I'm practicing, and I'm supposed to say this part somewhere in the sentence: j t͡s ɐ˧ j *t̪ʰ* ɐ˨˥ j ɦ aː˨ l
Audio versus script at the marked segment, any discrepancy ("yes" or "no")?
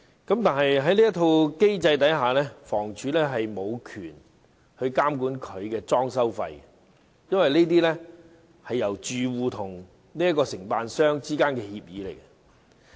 yes